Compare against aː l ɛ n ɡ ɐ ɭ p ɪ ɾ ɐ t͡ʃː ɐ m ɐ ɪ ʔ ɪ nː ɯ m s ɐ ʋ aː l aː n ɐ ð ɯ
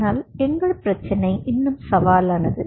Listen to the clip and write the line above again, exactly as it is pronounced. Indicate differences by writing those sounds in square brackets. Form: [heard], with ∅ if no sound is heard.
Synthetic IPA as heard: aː l ɛ [ŋ] ɡ ɐ ɭ p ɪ ɾ ɐ t͡ʃː ɐ [n] ɐ ɪ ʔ ɪ nː ɯ m s ɐ ʋ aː l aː n ɐ ð ɯ